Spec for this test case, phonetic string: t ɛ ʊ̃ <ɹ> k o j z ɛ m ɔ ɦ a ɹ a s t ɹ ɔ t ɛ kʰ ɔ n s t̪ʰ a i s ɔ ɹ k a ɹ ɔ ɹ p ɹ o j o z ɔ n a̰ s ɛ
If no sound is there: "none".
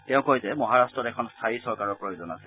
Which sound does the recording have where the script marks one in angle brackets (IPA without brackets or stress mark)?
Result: none